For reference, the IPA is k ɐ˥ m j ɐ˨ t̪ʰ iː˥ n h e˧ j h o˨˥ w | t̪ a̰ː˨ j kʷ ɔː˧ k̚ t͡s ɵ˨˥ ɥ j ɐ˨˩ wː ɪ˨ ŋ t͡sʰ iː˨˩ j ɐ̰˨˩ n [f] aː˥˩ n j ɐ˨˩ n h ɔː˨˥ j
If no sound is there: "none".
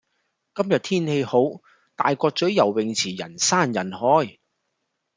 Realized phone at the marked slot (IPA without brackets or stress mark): s